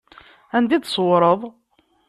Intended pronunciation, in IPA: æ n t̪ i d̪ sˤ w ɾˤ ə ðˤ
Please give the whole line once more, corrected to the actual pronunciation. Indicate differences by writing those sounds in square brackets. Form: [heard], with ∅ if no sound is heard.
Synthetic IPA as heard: æ n [d̪] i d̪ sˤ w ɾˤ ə ðˤ